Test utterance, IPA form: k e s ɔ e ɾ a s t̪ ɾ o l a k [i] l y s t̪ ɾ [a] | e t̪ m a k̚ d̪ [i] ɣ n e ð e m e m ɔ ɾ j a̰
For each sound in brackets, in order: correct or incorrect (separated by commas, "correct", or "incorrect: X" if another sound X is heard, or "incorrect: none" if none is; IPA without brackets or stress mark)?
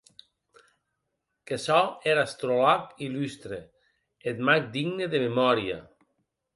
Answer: correct, incorrect: e, correct